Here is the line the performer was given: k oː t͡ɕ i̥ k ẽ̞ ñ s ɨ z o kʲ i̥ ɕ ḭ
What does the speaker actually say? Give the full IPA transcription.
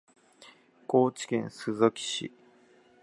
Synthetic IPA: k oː t͡ɕ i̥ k ẽ̞ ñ s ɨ z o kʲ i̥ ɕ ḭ